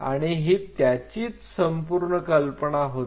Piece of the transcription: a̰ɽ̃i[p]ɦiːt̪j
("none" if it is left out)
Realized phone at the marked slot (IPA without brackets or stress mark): none